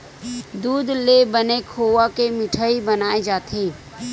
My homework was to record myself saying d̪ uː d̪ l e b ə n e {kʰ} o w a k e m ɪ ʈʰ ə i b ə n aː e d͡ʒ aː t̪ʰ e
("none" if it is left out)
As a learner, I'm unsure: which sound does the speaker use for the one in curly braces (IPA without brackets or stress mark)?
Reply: kʰ